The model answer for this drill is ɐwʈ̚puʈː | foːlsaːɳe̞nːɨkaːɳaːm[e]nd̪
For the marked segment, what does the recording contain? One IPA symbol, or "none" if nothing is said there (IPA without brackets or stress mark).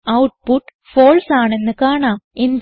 e